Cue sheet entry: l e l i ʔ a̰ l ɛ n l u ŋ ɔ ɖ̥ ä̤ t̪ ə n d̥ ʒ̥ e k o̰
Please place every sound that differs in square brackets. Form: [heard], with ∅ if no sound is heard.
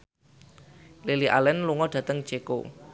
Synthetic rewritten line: l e l i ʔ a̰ l ɛ n l u ŋ ɔ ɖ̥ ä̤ t̪ ə [ŋ] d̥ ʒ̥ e k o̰